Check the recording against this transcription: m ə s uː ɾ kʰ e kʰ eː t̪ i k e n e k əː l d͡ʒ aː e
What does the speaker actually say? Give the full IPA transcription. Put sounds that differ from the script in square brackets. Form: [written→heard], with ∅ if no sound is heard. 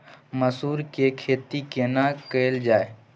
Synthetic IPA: m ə s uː ɾ [kʰ→k] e kʰ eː t̪ i k e n [e→a] k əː l d͡ʒ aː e